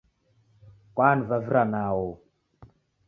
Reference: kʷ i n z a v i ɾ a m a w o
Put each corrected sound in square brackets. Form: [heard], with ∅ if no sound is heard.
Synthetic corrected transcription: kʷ [a] n [v] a v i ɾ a [n] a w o